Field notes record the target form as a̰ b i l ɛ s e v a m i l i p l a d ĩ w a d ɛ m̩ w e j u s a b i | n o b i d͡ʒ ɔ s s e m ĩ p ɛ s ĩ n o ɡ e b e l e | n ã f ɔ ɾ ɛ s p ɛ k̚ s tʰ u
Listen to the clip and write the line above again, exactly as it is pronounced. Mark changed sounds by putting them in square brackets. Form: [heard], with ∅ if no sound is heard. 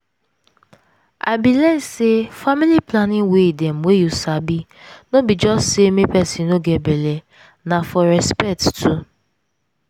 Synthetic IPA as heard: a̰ b i l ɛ s e [f] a m i l i p l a [n] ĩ w [e] d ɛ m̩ w e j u s a b i | n o b i d͡ʒ ɔ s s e m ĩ p ɛ s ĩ n o ɡ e b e l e | n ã f ɔ ɾ ɛ s p ɛ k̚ [t] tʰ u